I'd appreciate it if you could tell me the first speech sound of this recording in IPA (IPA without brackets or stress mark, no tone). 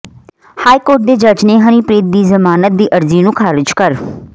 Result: h